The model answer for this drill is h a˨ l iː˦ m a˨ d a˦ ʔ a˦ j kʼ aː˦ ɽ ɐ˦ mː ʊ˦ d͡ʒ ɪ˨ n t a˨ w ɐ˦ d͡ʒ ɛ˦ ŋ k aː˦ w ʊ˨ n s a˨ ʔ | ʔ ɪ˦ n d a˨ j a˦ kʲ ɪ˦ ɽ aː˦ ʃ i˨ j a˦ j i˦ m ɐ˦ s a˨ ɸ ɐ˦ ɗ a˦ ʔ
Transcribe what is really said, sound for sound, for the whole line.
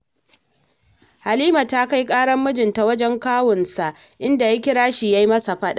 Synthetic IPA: h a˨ l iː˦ m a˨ t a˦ k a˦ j kʼ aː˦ ɽ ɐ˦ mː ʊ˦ d͡ʒ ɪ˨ n t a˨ w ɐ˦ d͡ʒ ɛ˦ ŋ k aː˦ w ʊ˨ n s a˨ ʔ | ʔ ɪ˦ n d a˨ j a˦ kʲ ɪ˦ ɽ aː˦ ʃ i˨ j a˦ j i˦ m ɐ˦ s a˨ ɸ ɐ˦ ɗ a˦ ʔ

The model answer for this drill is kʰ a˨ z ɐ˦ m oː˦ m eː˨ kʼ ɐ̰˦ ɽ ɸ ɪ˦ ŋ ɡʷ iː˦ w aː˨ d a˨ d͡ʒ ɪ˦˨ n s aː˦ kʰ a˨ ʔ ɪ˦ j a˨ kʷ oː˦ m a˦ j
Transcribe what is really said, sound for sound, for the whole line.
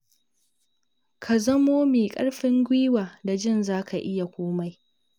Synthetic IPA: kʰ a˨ z ɐ˦ m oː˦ m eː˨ kʼ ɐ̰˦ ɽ ɸ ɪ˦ ŋ ɡʷ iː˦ w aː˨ d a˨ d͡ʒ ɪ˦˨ n z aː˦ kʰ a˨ ʔ ɪ˦ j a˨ kʷ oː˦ m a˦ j

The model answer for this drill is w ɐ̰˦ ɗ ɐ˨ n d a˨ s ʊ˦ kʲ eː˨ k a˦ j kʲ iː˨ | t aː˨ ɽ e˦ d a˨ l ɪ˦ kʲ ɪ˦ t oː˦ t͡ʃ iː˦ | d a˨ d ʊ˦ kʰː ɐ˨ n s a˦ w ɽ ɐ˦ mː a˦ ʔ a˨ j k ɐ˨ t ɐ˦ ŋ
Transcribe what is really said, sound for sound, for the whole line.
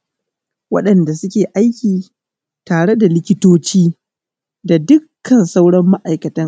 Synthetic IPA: w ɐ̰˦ ɗ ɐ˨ n d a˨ s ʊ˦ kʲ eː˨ ʔ a˦ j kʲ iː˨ | t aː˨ ɽ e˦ d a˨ l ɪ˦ kʲ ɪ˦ t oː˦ t͡ʃ iː˦ | d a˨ d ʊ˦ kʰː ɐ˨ n s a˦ w ɽ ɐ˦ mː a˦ ʔ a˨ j k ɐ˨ t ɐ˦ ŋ

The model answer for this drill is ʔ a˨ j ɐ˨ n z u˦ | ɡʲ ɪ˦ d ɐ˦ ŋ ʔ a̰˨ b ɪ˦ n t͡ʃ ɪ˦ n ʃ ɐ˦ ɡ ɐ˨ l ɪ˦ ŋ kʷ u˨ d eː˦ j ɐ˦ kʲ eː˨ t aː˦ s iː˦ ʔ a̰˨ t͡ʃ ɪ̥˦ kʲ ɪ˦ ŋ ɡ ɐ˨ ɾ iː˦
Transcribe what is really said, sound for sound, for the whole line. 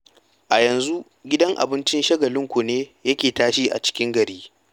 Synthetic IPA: ʔ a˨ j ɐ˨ n z u˦ | ɡʲ ɪ˦ d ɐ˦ ŋ ʔ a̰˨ b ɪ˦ n t͡ʃ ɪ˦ n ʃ ɐ˦ ɡ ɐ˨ l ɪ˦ ŋ kʷ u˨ n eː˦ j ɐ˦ kʲ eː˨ t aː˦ ʃ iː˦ ʔ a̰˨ t͡ʃ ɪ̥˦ kʲ ɪ˦ ŋ ɡ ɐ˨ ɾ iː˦

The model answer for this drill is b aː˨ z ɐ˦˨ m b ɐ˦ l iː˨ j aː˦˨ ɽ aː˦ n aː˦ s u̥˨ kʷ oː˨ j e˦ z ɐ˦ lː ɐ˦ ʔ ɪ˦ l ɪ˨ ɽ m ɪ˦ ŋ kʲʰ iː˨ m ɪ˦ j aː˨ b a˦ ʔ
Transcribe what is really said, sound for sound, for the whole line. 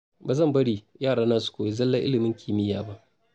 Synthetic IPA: b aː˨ z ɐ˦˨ m b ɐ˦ ɽ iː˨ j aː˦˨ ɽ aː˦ n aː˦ s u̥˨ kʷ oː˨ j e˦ z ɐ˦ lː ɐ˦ ʔ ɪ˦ l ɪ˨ m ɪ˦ ŋ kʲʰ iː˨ m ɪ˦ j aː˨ b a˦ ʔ

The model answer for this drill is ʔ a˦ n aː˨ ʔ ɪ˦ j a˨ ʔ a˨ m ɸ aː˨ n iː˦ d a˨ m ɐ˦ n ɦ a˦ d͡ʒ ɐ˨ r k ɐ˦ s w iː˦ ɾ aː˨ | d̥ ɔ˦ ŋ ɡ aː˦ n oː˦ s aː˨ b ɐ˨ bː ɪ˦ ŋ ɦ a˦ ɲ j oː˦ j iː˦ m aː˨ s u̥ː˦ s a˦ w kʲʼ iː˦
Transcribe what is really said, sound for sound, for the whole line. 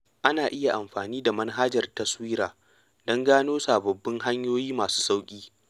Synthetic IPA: ʔ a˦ n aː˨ ʔ ɪ˦ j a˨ ʔ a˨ m ɸ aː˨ n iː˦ d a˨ m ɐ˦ n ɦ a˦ d͡ʒ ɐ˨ r t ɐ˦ s w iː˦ ɾ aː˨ | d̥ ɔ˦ ŋ ɡ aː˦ n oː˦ s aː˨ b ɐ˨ bː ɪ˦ ŋ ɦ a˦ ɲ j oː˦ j iː˦ m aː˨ s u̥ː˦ s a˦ w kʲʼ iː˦

